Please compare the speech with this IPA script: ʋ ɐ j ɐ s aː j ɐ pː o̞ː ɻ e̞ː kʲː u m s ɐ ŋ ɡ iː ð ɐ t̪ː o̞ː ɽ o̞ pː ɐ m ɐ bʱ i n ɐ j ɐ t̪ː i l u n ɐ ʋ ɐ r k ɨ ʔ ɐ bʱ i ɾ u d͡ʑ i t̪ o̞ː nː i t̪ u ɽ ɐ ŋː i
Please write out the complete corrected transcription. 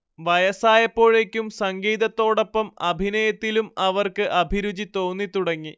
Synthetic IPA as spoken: ʋ ɐ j ɐ s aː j ɐ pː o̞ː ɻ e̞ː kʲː u m s ɐ ŋ ɡ iː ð ɐ t̪ː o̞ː ɽ o̞ pː ɐ m ɐ bʱ i n ɐ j ɐ t̪ː i l u m ɐ ʋ ɐ r k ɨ ʔ ɐ bʱ i ɾ u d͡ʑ i t̪ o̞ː nː i t̪ u ɽ ɐ ŋː i